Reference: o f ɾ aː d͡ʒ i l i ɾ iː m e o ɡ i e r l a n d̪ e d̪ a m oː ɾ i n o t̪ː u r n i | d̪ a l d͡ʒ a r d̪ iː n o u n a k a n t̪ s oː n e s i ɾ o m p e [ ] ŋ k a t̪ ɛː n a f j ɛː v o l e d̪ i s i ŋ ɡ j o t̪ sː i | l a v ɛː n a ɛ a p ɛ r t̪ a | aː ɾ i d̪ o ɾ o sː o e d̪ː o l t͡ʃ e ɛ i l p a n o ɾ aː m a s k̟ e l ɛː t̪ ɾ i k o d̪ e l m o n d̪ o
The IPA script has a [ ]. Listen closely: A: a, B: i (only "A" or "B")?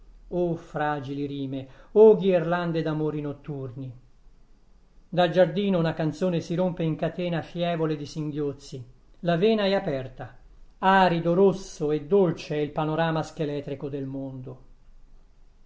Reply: B